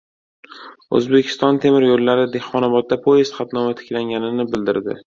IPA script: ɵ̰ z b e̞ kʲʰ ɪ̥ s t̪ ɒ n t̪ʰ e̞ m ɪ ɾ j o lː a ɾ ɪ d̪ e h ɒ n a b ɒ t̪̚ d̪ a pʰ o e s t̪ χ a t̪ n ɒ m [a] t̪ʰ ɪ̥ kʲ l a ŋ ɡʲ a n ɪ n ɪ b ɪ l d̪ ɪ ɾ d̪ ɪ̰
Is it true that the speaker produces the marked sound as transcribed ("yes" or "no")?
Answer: yes